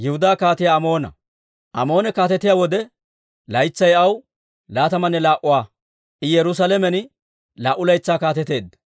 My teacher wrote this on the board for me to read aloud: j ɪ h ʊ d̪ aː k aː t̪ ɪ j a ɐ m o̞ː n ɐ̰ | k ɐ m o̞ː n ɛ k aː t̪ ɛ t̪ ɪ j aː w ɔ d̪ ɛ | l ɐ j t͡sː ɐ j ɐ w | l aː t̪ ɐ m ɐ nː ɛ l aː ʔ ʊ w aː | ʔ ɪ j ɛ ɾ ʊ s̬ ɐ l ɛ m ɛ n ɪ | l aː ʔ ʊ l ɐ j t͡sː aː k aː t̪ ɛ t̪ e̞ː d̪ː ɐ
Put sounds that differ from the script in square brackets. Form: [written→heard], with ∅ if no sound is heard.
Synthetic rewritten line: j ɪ h ʊ d̪ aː k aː t̪ ɪ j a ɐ m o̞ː n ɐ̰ | [k→ʔ] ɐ m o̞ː n ɛ k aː t̪ ɛ t̪ ɪ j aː w ɔ d̪ ɛ | l ɐ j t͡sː ɐ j ɐ w | l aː t̪ ɐ m ɐ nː ɛ l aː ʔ ʊ w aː | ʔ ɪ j ɛ ɾ ʊ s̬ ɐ l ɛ m ɛ n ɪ | l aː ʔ ʊ l ɐ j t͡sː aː k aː t̪ ɛ t̪ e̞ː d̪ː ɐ

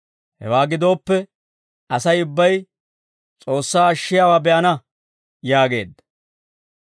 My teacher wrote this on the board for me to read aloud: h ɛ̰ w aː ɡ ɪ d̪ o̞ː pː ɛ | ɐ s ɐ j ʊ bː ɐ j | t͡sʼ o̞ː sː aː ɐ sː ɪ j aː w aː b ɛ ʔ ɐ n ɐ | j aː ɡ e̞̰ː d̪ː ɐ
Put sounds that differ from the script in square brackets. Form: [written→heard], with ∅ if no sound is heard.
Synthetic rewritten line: h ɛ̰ w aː ɡ ɪ d̪ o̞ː pː ɛ | ɐ s ɐ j ʊ bː ɐ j | t͡sʼ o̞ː sː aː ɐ [sː→ʃː] ɪ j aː w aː b ɛ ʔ ɐ n ɐ | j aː ɡ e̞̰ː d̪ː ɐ

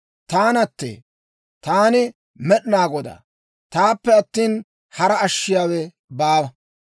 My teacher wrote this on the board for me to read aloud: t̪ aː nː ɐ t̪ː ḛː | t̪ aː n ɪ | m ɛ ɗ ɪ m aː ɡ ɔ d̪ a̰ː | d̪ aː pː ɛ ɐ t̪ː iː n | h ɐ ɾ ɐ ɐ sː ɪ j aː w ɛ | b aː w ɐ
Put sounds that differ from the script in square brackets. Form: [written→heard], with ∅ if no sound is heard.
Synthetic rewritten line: t̪ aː [nː→n] ɐ t̪ː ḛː | t̪ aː n ɪ | m ɛ ɗ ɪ [m→n] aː ɡ ɔ d̪ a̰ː | [d̪→t̪] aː pː ɛ ɐ t̪ː iː n | h ɐ ɾ ɐ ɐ [sː→ʃː] ɪ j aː w ɛ | b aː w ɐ

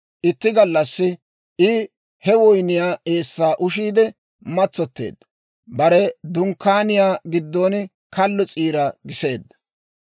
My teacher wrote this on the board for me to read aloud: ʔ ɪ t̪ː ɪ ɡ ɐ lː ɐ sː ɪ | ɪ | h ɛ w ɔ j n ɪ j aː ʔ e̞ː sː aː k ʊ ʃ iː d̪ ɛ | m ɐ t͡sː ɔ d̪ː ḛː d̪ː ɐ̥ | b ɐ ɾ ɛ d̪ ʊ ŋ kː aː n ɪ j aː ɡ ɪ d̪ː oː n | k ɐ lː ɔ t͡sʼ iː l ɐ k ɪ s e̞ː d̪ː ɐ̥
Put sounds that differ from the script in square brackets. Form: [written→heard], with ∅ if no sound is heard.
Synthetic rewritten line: ʔ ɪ t̪ː ɪ ɡ ɐ lː ɐ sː ɪ | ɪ | h ɛ w ɔ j n ɪ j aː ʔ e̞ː sː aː [k→ʔ] ʊ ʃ iː d̪ ɛ | m ɐ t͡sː ɔ [d̪ː→t̪ː] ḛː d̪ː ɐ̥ | b ɐ ɾ ɛ d̪ ʊ ŋ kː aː n ɪ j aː ɡ ɪ d̪ː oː n | k ɐ lː ɔ t͡sʼ iː [l→ɾ] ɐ [k→ɡ] ɪ s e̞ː d̪ː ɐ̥

